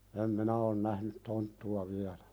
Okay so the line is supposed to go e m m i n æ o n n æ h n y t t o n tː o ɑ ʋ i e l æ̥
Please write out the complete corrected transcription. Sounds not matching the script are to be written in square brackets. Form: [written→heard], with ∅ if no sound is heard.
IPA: e m m i n æ o n n æ h n y t t o n tː [o→u] ɑ ʋ i [e→æ] l æ̥